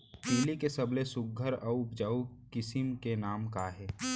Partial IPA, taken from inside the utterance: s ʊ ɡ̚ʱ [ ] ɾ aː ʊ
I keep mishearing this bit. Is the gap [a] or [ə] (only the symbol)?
ə